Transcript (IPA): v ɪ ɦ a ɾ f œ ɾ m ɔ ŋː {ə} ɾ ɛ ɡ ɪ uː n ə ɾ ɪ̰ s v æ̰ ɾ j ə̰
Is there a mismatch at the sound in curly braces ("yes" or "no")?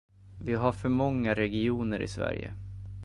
yes